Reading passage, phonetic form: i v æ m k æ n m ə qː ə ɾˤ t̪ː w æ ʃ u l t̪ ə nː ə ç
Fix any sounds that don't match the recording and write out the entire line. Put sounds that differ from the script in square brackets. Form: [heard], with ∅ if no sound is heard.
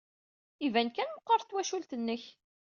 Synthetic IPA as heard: i v æ [n] k æ n m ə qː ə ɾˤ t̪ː w æ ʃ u l t̪ ə nː ə ç